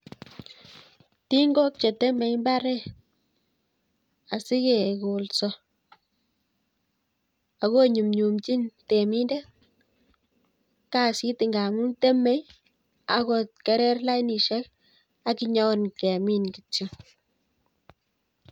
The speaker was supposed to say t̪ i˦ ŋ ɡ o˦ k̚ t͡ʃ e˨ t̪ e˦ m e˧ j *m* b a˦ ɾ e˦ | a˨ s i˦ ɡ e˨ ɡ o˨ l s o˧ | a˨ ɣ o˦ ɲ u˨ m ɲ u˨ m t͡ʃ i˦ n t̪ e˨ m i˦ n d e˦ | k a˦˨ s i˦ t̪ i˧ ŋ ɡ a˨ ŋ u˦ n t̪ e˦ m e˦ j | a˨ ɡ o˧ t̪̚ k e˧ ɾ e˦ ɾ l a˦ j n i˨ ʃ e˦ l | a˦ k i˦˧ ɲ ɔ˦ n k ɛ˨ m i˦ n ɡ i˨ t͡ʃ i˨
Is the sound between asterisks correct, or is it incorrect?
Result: correct